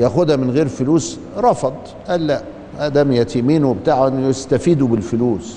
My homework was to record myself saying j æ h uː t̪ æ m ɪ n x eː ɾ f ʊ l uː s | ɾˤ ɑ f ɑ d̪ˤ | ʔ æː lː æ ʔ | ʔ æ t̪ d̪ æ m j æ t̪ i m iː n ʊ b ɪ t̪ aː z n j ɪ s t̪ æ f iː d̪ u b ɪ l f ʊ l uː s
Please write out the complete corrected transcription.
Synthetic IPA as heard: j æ x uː d̪ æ m ɪ n ɣ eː ɾ f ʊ l uː s | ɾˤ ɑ f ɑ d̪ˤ | ʔ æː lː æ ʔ | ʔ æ d̪ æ m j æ t̪ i m iː n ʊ b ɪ t̪ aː ʕ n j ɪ s t̪ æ f iː d̪ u b ɪ l f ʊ l uː s